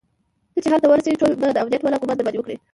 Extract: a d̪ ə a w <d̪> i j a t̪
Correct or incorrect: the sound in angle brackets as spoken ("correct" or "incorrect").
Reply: correct